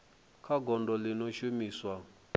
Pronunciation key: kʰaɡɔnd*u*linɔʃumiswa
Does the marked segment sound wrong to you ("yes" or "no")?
yes